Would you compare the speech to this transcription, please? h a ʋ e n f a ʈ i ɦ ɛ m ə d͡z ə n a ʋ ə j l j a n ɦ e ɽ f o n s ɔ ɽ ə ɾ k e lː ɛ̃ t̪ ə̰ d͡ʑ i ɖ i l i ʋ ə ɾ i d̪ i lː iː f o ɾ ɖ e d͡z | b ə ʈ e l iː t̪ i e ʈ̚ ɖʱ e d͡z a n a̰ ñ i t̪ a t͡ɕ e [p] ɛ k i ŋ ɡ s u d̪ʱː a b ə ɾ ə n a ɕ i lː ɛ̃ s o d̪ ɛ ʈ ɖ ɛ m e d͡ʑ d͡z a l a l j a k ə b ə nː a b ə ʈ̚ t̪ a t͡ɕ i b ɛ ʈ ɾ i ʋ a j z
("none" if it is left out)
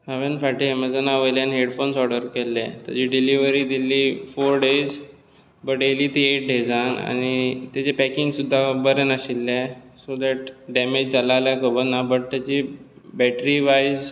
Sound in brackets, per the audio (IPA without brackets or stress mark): p